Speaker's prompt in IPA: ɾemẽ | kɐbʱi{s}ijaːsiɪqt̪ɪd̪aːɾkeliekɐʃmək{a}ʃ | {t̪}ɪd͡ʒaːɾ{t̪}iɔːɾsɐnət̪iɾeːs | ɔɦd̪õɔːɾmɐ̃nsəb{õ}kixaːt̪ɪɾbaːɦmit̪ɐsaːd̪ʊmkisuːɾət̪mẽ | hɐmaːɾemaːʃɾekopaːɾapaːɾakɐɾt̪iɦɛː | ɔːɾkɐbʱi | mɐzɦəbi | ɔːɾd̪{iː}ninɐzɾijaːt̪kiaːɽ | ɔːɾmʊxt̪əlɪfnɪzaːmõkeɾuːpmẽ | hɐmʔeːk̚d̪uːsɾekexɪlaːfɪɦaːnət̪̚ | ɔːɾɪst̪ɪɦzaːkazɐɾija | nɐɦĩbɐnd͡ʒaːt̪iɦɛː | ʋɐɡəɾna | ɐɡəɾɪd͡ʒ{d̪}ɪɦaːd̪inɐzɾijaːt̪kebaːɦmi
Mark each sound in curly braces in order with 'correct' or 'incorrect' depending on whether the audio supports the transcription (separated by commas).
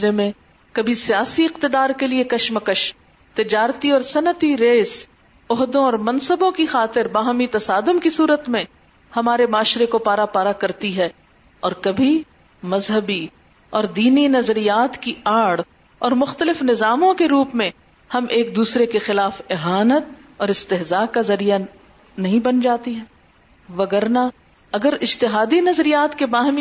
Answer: correct, incorrect, correct, correct, correct, correct, incorrect